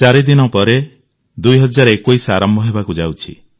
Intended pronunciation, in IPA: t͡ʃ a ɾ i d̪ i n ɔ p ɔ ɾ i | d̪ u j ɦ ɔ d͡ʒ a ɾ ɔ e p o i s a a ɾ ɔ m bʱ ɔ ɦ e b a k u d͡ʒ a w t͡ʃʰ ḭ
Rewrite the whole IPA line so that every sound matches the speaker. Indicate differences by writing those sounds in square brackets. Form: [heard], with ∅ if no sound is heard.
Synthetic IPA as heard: t͡ʃ a ɾ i d̪ i n ɔ p ɔ ɾ [e] | d̪ u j ɦ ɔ d͡ʒ a ɾ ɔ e [k] o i s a a ɾ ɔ m bʱ ɔ ɦ e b a k u d͡ʒ a w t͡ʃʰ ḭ